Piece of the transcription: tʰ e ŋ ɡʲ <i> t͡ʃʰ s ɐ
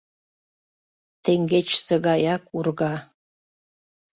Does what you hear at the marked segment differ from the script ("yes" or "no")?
yes